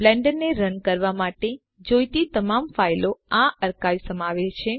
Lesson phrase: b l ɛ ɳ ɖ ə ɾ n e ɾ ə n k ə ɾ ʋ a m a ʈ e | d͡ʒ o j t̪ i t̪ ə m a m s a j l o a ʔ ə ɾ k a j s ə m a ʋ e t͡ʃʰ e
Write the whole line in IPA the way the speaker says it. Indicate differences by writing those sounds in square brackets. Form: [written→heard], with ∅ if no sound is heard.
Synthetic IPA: b l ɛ ɳ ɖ ə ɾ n e ɾ ə n k ə ɾ ʋ a m a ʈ e | d͡ʒ o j t̪ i t̪ ə m a m [s→f] a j l o a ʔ ə ɾ k a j s ə m a ʋ e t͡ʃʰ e